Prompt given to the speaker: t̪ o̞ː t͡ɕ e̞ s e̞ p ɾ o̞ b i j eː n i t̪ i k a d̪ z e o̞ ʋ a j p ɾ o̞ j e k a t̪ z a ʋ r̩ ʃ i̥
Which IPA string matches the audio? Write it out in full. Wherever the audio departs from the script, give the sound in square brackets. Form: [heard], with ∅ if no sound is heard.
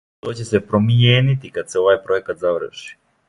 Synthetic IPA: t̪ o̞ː t͡ɕ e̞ s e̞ p ɾ o̞ [m] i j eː n i t̪ i k a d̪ [s] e o̞ ʋ a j p ɾ o̞ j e k a t̪ z a ʋ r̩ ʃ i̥